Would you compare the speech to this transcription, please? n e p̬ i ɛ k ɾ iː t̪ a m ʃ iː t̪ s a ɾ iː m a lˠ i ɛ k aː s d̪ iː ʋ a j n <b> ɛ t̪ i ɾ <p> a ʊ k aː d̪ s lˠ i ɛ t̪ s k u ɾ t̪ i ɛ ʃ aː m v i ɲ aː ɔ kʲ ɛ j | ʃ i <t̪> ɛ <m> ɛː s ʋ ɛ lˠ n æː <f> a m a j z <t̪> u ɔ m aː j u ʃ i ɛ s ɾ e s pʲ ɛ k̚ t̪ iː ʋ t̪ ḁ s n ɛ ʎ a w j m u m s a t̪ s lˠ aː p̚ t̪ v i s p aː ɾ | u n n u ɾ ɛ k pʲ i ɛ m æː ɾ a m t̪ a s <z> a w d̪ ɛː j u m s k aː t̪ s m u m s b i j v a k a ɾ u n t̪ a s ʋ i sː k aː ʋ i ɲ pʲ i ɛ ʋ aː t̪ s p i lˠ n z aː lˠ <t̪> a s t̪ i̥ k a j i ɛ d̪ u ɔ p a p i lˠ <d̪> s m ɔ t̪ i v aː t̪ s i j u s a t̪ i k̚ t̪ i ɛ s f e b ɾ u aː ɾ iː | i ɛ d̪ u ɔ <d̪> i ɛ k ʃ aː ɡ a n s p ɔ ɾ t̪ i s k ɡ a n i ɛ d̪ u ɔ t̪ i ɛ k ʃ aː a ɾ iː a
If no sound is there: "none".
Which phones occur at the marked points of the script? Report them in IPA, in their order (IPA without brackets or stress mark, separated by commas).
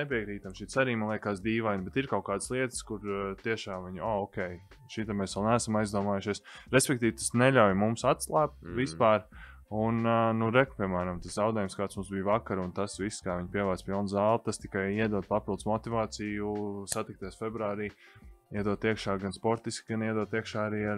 b, k, t̪, m, s, d̪, z, t̪, d̪, t̪